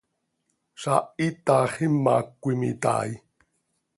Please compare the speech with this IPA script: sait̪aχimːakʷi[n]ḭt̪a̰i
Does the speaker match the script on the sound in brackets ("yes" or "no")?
no